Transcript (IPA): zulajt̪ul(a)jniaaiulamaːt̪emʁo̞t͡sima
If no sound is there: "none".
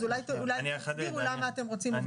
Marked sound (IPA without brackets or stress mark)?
a